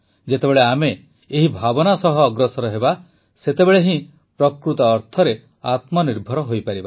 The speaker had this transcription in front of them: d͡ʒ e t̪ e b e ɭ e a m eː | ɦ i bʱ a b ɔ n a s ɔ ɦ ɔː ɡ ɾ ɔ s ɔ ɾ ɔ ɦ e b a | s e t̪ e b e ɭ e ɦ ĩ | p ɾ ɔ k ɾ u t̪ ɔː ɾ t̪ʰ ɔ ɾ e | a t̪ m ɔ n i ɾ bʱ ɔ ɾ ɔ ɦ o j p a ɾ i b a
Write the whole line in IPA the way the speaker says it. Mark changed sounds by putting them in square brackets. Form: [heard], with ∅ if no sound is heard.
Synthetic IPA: d͡ʒ e t̪ e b e ɭ e a m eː | ɦ i bʱ a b ɔ n a s ɔ ɦ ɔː ɡ ɾ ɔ s ɔ ɾ ɔ ɦ e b a | s e t̪ e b e ɭ e ɦ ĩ | p ɾ ɔ k ɾ u t̪ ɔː ɾ t̪ʰ ɔ ɾ e | a t̪ m ɔ n i ɾ bʱ ɔ ɾ ɔ ɦ o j p a ɾ i b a